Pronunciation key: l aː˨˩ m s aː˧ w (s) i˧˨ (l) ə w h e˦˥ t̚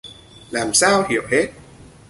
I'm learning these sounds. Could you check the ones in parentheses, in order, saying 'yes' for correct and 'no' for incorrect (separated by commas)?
no, no